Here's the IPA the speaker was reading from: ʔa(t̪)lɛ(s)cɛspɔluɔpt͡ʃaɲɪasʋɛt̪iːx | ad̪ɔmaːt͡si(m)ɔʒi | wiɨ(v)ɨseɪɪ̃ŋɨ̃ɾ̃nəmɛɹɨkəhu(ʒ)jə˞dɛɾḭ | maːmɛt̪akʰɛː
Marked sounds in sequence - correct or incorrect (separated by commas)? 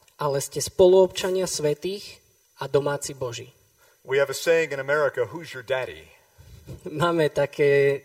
incorrect, correct, incorrect, correct, incorrect